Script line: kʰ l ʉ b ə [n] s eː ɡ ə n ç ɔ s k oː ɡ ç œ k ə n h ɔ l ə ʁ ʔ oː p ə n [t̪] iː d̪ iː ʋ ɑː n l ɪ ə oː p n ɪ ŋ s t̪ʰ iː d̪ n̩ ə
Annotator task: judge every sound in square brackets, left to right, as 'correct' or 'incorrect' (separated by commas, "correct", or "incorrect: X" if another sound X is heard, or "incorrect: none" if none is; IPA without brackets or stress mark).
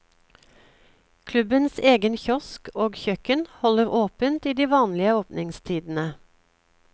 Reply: correct, correct